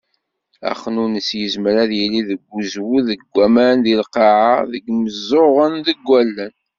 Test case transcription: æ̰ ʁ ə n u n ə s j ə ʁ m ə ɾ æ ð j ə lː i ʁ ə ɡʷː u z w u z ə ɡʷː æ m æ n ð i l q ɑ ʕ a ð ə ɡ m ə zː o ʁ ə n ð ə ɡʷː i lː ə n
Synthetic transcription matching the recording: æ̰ χ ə n u n ə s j ə z m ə ɾ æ ð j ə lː i ð ə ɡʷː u z w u ð ə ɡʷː æ m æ n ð i l q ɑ ʕ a ð ə ɡ m ə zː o ʁ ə n ð ə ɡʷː æ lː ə n

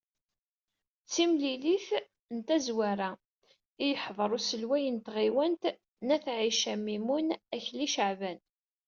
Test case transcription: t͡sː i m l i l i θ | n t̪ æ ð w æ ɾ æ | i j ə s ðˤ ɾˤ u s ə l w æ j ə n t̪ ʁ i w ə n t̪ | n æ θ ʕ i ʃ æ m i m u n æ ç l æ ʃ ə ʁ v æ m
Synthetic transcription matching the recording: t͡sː i m l i l i θ | n t̪ æ z w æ ɾ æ | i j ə ħ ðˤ ɾˤ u s ə l w æ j ə n t̪ ʁ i w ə n t̪ | n æ θ ʕ i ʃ æ m i m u n æ ç l i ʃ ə ʕ v æ n

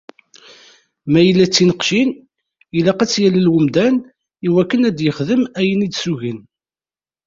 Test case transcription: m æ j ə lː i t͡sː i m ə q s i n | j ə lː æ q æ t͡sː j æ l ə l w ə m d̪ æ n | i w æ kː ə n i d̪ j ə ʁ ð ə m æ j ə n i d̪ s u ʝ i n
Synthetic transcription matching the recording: m æ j ə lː æ t͡sː i n ə q ʃ i n | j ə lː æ q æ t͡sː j æ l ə l w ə m d̪ æ n | i w æ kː ə n æ d̪ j ə χ ð ə m æ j ə n i d̪ s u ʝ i n

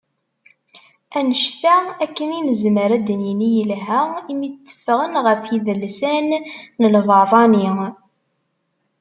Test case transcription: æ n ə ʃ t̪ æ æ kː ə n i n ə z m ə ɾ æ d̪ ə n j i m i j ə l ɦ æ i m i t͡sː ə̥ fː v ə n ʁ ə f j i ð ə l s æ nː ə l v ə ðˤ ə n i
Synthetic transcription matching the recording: æ n ə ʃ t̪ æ æ kː ə n i n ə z m ə ɾ æ d̪ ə n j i n i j ə l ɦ æ i m i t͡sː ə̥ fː ʁ ə n ʁ ə f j i ð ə l s æ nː ə l v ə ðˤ ɑ n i

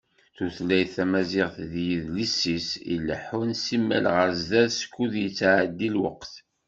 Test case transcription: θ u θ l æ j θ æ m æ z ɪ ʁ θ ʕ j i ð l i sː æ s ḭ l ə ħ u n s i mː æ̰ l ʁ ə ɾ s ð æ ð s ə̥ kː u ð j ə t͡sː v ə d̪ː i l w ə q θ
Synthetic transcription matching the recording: θ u θ l æ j θ æ m æ z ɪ ʁ θ ð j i ð l i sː i s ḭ l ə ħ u n s i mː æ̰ l ʁ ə ɾ z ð æ ð s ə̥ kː u ð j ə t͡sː ʕ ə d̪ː i l w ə q θ

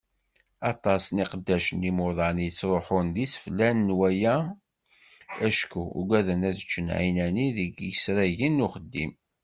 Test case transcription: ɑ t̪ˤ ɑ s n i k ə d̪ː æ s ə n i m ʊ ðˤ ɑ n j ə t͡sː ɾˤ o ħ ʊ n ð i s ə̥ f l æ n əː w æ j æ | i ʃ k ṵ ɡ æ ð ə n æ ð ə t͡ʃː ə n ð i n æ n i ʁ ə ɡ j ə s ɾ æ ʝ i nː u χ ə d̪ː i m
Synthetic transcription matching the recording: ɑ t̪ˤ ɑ s n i q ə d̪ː æ ʃ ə n i m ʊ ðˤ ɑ n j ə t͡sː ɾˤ o ħ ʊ n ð i s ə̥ f l æ n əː w æ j æ | æ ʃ k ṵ ɡ æ ð ə n æ ð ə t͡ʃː ə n ʕ i n æ n i ð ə ɡ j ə s ɾ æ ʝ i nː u χ ə d̪ː i m

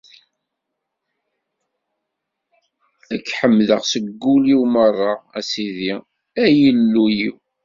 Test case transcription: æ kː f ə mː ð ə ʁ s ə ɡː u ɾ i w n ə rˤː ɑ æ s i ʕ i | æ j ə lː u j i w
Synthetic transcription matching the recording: æ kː ħ ə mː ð ə ʁ s ə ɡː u l i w m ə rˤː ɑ æ s i ð i | æ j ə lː u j i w

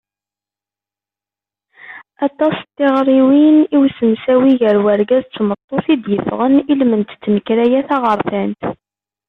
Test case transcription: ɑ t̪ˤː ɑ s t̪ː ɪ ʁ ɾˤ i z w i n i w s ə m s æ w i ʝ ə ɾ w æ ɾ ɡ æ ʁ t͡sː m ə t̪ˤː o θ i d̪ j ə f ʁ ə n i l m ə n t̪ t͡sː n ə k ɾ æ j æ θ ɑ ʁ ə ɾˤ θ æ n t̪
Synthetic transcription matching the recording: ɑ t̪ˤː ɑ s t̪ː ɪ ʁ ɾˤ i w i n i w s ə m s æ w i ʝ ə ɾ w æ ɾ ɡ æ z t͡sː m ə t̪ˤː o θ i d̪ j ə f ʁ ə n i l m ə n t̪ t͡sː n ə k ɾ æ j æ θ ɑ ʁ ə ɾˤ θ æ n t̪

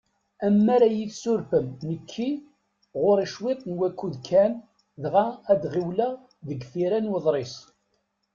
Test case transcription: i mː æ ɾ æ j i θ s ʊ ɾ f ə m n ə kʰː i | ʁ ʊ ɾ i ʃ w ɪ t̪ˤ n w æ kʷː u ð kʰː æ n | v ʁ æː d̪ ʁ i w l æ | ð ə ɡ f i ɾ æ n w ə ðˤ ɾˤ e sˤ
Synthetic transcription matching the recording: æ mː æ ɾ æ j i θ s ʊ ɾ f ə m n ə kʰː i | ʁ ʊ ɾ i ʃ w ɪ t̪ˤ n w æ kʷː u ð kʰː æ n | ð ʁ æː d̪ ʁ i w l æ | ð ə ɡ f i ɾ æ n w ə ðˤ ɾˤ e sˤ

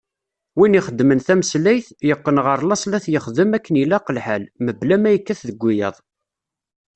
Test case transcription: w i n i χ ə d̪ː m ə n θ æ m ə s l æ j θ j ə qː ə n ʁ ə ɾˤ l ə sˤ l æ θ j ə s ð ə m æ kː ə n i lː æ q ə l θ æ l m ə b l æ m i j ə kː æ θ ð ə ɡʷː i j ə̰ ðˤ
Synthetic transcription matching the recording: w i n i χ ə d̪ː m ə n θ æ m ə s l æ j θ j ə qː ə n ʁ ə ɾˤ l ɑ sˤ l æ θ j ə χ ð ə m æ kː ə n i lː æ q ə l ħ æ l m ə b l æ m æ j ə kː æ θ ð ə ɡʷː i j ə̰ ðˤ

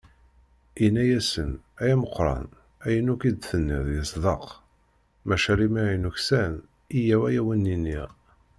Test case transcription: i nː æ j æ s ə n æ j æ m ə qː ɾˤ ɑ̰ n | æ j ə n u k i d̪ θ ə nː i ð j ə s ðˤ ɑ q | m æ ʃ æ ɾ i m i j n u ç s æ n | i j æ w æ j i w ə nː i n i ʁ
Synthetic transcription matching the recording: i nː æ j æ s ə n æ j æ m ə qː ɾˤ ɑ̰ n | æ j ə n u k i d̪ θ ə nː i ð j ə s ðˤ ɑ q | m æ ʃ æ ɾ i m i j n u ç s æ n | i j æ w æ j æ w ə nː i n i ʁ

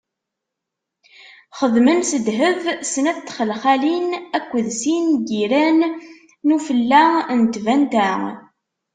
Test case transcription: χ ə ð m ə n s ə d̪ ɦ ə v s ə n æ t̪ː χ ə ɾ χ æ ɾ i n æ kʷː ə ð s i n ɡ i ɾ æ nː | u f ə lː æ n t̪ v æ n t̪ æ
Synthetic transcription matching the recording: χ ə ð m ə n s ə d̪ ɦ ə v s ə n æ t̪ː χ ə l χ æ l i n æ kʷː ə ð s i n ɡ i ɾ æ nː | u f ə lː æ n t̪ v æ n t̪ æ

